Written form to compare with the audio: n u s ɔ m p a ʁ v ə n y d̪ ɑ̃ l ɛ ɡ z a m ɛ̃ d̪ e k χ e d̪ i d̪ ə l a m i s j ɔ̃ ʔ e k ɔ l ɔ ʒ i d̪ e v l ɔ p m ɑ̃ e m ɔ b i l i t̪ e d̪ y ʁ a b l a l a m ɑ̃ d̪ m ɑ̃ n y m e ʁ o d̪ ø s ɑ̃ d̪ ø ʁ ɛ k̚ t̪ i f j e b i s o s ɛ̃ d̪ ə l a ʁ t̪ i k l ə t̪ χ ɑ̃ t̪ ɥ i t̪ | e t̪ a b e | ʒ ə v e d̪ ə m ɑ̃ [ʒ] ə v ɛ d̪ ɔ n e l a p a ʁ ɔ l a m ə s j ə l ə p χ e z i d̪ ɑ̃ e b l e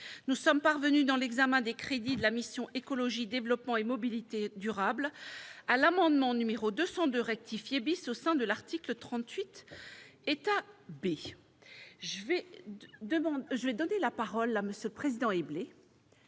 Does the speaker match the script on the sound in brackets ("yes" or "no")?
yes